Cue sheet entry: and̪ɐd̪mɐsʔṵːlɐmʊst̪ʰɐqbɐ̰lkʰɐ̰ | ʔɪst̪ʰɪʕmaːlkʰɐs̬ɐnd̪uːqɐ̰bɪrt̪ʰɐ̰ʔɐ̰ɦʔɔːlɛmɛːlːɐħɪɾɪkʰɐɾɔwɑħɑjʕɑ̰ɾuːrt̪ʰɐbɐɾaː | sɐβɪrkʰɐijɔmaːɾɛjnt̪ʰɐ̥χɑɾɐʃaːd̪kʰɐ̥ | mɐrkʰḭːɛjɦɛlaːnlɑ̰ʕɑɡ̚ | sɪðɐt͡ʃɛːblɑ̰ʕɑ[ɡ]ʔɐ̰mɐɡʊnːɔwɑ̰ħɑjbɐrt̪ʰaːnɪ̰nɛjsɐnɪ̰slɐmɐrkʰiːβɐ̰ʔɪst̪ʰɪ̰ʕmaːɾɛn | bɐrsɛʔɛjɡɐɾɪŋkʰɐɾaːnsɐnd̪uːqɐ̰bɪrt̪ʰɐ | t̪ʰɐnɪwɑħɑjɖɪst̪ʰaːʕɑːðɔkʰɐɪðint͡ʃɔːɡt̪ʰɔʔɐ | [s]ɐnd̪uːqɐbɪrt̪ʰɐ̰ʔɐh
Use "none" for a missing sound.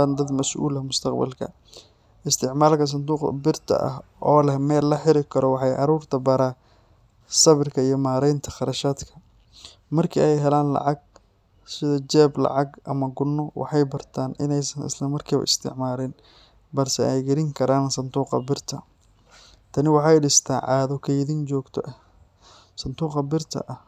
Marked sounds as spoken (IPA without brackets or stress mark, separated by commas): ɡ, s